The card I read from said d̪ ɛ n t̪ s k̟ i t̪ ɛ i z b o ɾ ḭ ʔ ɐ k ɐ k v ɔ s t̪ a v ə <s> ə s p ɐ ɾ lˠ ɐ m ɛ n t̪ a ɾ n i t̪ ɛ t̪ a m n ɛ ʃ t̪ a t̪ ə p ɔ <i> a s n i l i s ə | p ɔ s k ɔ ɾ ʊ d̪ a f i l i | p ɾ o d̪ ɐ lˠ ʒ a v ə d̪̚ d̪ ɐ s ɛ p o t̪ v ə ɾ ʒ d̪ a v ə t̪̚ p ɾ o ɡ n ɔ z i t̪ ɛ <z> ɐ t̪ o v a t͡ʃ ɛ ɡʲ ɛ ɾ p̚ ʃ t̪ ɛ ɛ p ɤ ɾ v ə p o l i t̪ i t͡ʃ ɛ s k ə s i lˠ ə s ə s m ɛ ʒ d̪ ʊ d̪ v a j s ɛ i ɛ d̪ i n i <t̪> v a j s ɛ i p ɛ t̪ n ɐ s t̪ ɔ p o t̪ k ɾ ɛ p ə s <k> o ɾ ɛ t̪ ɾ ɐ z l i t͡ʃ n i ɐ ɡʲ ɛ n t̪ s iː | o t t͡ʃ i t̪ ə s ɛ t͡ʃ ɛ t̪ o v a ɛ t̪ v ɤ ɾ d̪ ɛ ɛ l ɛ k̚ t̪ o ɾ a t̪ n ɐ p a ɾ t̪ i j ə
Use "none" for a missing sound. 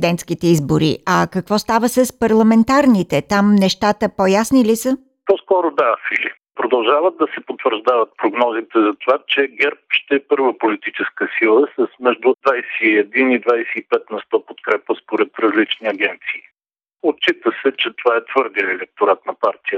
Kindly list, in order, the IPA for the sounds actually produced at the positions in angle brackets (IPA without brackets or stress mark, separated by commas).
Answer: s, j, z, d̪, p